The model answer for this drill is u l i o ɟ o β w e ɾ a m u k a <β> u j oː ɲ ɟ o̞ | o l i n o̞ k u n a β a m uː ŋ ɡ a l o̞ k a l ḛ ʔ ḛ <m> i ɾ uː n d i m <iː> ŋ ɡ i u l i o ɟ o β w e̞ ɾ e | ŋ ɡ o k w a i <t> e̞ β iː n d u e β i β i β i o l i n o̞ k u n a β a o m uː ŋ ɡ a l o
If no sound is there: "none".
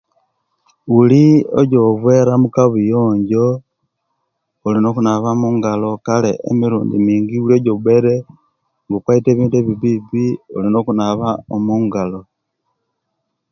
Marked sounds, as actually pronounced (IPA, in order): β, m, iː, t

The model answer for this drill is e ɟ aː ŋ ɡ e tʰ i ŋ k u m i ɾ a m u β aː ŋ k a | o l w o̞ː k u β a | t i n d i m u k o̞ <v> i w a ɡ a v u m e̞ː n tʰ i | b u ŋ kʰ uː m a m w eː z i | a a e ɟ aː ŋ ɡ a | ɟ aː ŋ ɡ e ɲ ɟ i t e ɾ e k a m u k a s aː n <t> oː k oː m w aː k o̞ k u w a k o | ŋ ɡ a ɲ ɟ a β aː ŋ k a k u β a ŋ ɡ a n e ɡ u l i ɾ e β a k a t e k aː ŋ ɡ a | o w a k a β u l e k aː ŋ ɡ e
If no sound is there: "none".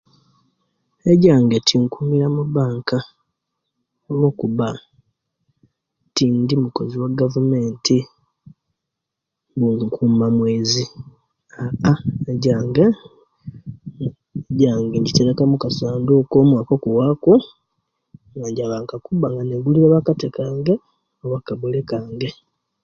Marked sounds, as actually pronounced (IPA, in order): z, d

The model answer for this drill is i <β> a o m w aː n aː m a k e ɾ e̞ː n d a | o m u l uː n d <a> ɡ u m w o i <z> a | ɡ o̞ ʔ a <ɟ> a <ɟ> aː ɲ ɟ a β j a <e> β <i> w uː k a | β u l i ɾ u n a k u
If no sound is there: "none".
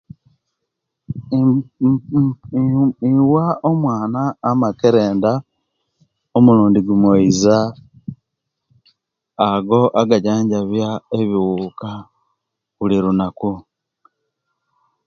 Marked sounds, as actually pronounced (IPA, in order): w, i, z, ɡ, ɟ, e, i

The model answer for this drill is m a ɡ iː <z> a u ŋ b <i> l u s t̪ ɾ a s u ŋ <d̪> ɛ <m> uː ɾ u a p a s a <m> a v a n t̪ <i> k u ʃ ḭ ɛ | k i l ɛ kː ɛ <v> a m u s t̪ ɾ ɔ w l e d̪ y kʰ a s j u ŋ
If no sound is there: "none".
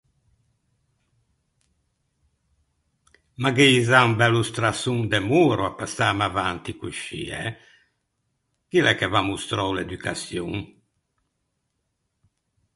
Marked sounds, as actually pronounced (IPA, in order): z, ɛ, d̪, m, m, i, v

